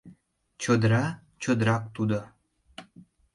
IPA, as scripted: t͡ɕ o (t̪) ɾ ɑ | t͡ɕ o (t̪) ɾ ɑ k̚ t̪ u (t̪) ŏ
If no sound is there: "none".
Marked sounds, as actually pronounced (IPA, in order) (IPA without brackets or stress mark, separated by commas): d̪, d̪, d̪